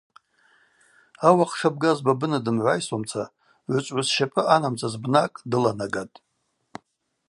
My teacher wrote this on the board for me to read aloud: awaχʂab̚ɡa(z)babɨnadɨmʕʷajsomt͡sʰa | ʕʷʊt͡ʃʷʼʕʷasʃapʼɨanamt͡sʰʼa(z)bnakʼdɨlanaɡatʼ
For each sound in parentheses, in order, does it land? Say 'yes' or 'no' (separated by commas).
yes, yes